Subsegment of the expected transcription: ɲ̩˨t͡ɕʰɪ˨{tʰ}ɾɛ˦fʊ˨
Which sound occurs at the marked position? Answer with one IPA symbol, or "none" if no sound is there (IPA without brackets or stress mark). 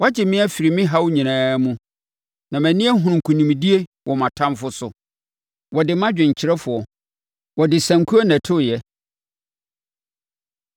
none